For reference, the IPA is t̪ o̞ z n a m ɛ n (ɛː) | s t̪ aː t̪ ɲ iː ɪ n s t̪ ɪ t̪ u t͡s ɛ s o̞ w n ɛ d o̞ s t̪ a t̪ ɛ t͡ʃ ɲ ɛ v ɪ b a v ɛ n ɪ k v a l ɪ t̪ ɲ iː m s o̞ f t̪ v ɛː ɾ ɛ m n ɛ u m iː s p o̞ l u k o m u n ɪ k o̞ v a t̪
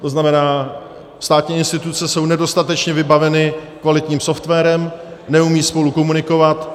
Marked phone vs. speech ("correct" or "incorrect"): incorrect